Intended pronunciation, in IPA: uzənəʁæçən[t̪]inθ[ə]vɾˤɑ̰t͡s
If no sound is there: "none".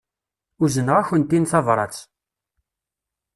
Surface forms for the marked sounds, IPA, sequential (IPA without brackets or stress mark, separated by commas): t̪, ɑ